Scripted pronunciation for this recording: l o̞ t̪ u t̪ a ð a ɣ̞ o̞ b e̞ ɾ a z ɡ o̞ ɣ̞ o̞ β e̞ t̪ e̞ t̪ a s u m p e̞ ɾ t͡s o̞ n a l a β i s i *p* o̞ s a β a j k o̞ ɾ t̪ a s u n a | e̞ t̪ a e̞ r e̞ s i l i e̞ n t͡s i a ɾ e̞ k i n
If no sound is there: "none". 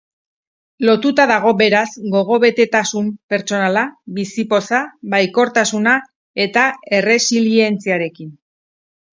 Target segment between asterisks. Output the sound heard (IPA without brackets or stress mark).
p